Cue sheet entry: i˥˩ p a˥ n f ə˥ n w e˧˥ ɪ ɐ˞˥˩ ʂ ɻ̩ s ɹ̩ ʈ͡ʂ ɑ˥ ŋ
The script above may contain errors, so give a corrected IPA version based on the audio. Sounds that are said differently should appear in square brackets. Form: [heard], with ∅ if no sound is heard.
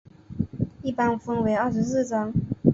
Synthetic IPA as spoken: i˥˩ p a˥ n f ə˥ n w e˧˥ ɪ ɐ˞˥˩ ʂ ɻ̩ s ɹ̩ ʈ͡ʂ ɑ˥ ŋ

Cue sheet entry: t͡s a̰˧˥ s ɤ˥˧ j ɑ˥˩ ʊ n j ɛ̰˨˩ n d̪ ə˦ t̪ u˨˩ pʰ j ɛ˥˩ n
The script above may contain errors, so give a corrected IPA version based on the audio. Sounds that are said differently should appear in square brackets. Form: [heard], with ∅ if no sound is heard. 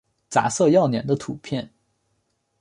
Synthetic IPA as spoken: t͡s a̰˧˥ s ɤ˥˧ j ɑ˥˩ ʊ n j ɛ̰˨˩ n d̪ ə˦ [t̪ʰ] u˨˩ pʰ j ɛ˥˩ n

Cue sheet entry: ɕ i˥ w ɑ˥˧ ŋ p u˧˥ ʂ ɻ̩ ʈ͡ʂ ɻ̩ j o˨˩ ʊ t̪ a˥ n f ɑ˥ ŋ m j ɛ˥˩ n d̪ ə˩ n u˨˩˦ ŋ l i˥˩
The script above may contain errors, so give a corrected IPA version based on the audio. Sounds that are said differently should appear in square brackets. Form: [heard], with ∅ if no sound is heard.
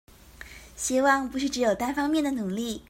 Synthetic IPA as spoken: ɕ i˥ w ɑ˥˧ ŋ p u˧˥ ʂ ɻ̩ ʈ͡ʂ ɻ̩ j o˨˩ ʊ t̪ a˥ n f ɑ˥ ŋ m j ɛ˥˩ n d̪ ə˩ n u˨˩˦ ŋ l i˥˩

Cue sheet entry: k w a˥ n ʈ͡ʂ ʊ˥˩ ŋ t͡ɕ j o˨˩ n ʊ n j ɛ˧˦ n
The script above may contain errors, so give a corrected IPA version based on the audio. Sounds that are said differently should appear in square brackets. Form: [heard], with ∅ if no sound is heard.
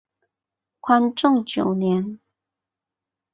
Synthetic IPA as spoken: [kʰ] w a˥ n ʈ͡ʂ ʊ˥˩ ŋ t͡ɕ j o˨˩ [∅] ʊ n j ɛ˧˦ n

